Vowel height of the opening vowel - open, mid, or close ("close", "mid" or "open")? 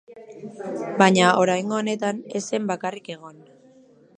open